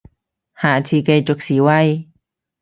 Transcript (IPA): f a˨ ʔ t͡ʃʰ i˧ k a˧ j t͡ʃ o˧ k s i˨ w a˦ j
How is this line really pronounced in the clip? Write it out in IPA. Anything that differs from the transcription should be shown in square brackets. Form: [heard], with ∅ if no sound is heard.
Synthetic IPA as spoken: [h] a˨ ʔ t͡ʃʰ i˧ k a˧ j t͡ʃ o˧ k s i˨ w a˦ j